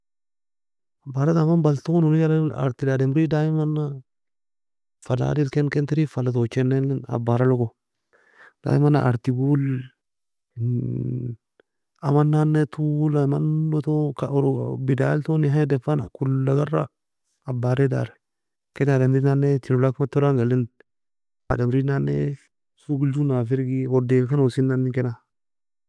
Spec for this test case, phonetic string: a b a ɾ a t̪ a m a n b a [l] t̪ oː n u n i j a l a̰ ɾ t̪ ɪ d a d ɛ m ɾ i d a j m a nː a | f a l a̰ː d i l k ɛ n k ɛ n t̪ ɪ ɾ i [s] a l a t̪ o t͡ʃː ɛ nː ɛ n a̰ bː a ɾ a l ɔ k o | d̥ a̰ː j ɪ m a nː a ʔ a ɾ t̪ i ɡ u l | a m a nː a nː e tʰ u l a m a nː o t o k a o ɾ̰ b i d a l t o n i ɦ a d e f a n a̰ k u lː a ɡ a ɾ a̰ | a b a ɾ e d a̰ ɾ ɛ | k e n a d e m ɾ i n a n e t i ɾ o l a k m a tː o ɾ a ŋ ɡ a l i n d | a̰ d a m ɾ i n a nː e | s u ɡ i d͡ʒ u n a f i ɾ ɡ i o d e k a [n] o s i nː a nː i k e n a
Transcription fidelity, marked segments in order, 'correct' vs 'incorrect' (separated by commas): correct, incorrect, correct